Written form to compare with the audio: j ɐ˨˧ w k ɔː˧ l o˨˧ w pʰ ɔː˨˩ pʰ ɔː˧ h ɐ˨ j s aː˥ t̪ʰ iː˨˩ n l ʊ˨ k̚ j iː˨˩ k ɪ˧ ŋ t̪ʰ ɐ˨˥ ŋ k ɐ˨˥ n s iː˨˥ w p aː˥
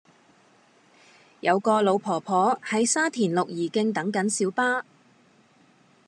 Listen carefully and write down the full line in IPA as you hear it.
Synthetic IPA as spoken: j ɐ˨˧ w k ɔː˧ l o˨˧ w pʰ ɔː˨˩ pʰ ɔː˨˥ h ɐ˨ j s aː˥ t̪ʰ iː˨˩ n l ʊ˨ k̚ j iː˨˩ k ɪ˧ ŋ t̪ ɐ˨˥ ŋ k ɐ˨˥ n s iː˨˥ w p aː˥

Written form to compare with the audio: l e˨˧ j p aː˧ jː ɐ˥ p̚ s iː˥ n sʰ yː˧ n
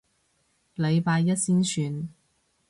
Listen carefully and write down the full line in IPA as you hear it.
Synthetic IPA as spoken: l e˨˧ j p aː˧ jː ɐ˥ t̚ s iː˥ n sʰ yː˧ n

